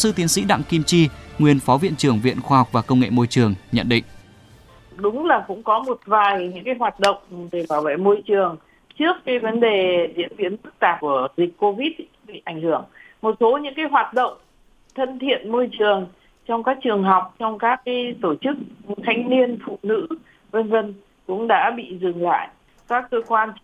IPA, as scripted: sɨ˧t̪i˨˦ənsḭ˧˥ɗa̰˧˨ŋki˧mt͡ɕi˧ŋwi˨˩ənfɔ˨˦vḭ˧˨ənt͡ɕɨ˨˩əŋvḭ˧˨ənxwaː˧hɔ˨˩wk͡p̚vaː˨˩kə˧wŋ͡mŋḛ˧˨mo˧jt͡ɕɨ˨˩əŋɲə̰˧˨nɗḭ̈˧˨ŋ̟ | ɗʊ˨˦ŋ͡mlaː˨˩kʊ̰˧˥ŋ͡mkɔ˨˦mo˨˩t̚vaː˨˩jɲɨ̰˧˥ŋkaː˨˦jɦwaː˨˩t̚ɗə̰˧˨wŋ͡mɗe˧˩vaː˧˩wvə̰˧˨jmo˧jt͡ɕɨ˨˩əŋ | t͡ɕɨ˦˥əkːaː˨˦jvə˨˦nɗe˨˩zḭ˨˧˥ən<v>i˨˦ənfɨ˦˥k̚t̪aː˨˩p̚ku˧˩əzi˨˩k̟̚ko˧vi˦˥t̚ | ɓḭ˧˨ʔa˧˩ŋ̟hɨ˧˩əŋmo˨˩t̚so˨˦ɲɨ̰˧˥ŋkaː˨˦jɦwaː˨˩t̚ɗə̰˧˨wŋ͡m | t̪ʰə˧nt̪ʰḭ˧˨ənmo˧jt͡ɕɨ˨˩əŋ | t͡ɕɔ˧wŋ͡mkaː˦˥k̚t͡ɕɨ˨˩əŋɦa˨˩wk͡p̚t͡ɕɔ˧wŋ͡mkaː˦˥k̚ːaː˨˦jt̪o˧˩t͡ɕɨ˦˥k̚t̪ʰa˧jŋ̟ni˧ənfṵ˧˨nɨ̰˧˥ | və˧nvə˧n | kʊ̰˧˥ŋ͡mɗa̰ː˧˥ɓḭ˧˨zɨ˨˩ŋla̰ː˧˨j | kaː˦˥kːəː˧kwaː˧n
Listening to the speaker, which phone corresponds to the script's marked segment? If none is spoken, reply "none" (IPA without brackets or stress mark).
v